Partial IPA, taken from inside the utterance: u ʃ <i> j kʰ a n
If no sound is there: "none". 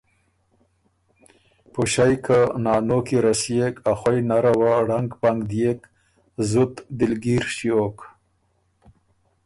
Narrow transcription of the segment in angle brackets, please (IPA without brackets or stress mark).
a